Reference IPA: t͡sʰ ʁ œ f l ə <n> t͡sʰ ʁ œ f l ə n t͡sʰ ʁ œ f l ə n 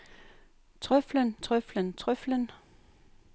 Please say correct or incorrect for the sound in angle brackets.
correct